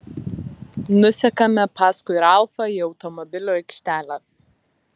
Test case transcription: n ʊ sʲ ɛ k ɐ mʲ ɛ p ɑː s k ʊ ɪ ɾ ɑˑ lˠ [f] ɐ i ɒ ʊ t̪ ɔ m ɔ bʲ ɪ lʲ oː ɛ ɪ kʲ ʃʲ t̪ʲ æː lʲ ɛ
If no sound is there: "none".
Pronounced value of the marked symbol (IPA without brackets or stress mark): f